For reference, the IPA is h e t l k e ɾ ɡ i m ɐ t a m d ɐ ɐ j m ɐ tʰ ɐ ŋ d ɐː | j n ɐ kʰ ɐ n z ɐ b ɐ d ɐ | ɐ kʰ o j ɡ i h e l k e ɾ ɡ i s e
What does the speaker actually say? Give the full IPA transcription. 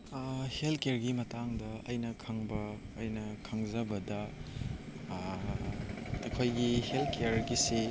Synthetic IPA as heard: h e l k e ɾ ɡ i m ɐ t a ŋ d ɐ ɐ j n ɐ kʰ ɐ ŋ b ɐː | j n ɐ kʰ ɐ ŋ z ɐ b ɐ d ɐ | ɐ kʰ o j ɡ i h e l k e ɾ ɡ i s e